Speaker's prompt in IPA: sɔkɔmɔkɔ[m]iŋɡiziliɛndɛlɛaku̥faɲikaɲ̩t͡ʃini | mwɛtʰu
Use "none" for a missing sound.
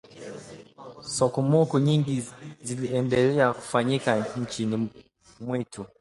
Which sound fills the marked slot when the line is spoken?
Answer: ɲ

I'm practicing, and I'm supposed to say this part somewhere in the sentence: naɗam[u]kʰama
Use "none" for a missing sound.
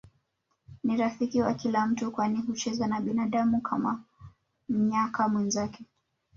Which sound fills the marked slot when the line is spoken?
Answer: u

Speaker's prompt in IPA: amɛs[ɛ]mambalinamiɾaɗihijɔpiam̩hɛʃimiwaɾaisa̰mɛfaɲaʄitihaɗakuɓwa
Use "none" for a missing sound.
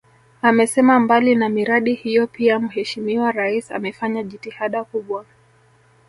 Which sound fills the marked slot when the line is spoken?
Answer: ɛ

